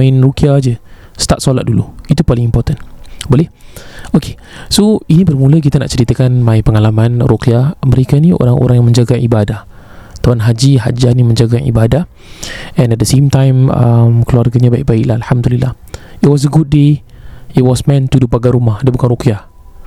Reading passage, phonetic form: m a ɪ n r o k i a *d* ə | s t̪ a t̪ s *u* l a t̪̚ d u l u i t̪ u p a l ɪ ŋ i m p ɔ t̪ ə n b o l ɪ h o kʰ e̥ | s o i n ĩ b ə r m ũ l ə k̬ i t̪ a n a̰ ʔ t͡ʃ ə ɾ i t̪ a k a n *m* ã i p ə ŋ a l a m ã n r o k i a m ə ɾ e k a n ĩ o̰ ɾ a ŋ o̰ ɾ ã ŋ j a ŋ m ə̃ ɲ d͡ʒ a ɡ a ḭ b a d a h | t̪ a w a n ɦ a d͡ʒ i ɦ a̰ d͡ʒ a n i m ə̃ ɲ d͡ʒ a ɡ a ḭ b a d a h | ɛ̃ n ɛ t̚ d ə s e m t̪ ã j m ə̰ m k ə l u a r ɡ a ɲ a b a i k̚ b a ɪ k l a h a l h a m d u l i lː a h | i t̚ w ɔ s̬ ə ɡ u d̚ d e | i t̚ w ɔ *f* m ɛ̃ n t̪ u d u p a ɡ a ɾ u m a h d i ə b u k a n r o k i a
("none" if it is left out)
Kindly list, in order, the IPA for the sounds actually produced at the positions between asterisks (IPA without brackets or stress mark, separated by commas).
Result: d͡ʒ, o, m, s